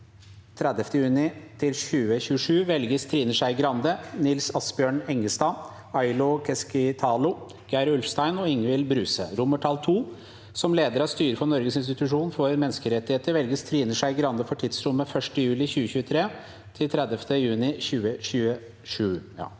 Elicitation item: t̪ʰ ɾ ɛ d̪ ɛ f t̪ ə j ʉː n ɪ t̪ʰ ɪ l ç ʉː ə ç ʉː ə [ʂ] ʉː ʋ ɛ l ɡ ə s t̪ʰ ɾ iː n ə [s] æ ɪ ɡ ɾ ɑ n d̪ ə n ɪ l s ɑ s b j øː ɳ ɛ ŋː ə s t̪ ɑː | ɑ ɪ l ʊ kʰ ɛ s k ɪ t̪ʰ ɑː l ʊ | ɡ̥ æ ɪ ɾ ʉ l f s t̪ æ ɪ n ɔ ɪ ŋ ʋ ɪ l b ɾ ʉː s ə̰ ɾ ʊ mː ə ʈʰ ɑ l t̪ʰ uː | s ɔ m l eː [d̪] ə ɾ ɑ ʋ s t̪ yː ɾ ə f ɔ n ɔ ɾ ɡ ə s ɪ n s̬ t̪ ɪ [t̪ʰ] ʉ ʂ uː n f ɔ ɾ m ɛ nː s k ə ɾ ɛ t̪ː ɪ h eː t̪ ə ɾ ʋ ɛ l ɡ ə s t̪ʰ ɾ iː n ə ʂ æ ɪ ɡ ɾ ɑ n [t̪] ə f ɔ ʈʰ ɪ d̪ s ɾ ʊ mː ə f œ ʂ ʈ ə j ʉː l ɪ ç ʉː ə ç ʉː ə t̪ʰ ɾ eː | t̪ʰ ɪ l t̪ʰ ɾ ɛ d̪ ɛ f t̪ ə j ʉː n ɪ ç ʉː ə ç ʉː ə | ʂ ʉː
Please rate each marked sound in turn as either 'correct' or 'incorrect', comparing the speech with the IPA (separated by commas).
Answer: correct, incorrect, correct, incorrect, incorrect